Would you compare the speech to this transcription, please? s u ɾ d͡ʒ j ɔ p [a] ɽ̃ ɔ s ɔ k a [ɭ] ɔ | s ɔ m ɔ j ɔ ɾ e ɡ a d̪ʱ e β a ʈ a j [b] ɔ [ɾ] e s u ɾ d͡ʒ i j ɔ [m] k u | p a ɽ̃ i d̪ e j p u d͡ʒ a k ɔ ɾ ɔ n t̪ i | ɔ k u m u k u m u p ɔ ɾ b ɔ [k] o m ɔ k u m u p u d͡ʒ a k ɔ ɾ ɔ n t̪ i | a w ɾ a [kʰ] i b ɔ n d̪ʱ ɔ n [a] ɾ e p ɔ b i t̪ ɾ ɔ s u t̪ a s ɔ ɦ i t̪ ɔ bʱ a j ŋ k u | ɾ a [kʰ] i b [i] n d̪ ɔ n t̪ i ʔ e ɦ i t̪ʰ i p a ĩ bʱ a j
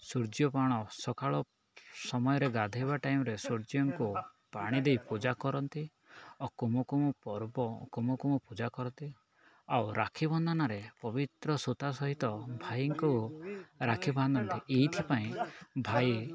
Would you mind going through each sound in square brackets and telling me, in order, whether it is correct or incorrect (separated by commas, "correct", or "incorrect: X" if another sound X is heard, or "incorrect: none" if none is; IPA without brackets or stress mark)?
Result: correct, correct, incorrect: m, correct, incorrect: ŋ, correct, correct, correct, correct, incorrect: a